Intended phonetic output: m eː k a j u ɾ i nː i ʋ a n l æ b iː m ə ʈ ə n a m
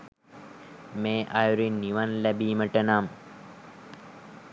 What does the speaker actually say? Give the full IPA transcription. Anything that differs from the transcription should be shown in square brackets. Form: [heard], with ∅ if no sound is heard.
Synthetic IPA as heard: m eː [ʔ] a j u ɾ i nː i ʋ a n l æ b iː m ə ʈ ə n a m